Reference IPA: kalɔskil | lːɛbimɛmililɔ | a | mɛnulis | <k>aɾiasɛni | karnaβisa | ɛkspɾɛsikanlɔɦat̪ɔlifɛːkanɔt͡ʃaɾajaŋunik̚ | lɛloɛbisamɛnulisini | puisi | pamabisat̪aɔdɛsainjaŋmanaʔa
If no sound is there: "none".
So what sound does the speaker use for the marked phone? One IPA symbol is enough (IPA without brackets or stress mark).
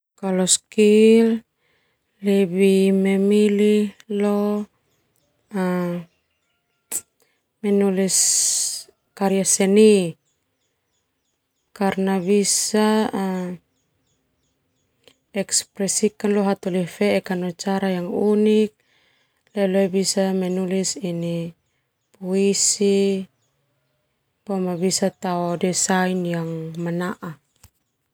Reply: k